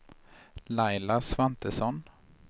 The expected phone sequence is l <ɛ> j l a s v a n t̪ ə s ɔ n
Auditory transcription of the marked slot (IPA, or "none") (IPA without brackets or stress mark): a